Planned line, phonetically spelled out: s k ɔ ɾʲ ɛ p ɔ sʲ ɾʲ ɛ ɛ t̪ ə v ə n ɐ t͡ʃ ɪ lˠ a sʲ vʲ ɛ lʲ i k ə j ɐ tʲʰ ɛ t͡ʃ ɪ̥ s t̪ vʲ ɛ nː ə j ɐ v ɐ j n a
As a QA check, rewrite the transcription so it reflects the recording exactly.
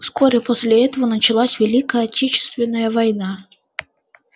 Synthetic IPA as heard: s k ɔ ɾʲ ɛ p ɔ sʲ lʲ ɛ ɛ t̪ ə v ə n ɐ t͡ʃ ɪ lˠ a sʲ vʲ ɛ lʲ i k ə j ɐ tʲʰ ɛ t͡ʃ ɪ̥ s t̪ vʲ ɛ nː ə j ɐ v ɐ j n a

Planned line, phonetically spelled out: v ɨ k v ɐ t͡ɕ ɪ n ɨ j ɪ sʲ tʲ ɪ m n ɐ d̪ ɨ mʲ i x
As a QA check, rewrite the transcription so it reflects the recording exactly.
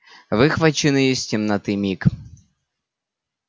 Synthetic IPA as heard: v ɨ x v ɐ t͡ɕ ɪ n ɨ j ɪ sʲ tʲ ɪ m n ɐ t̪ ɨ mʲ i k

